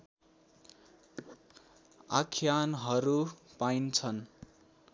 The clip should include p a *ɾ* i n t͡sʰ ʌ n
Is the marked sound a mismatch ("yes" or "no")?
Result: yes